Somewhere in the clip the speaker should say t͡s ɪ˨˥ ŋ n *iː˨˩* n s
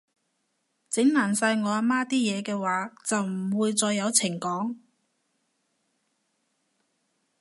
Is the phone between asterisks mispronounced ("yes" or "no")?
yes